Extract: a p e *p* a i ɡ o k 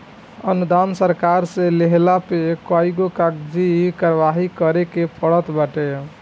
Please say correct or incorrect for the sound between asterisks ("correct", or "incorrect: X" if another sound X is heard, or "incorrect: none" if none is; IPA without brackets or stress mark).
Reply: incorrect: k